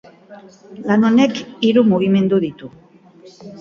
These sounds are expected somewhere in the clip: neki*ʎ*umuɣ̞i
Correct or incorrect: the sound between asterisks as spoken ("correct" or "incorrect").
incorrect